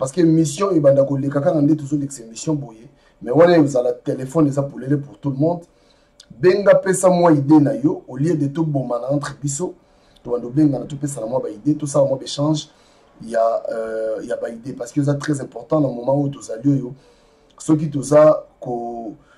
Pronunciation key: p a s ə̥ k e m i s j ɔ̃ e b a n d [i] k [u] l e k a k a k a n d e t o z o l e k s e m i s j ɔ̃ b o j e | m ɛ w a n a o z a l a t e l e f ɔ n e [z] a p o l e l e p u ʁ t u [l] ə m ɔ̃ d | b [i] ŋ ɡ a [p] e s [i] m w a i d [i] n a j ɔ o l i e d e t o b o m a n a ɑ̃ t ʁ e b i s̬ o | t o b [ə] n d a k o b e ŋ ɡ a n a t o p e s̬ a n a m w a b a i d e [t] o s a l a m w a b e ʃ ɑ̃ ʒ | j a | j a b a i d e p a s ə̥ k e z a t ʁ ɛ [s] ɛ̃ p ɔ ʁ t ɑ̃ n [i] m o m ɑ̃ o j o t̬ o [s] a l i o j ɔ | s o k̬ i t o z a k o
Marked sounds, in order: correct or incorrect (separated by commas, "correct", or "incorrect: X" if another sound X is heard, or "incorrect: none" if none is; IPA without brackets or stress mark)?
incorrect: a, incorrect: o, correct, correct, incorrect: e, correct, incorrect: a, incorrect: e, incorrect: a, correct, incorrect: z, incorrect: a, incorrect: z